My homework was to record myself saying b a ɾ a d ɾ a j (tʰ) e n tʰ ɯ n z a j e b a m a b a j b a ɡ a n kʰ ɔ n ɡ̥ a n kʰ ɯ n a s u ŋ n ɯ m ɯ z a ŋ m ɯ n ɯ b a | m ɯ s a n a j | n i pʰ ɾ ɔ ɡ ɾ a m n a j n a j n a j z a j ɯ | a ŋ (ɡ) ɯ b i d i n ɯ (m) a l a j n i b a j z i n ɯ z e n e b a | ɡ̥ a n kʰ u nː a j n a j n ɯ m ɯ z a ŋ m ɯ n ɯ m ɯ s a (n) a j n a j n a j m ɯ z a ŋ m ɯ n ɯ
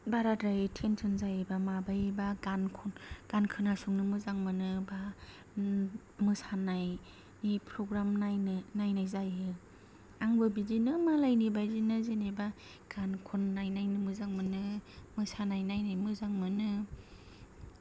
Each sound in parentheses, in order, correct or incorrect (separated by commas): correct, incorrect, correct, correct